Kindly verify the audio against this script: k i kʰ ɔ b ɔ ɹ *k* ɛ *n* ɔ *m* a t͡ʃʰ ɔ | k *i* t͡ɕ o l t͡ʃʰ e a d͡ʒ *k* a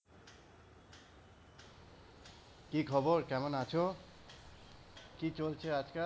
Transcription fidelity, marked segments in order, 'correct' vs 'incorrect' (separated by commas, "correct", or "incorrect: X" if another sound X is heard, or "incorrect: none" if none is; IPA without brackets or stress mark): correct, incorrect: m, incorrect: n, correct, correct